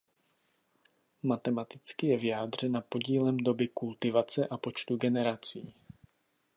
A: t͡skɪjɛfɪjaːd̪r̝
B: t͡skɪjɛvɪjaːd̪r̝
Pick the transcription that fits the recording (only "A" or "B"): B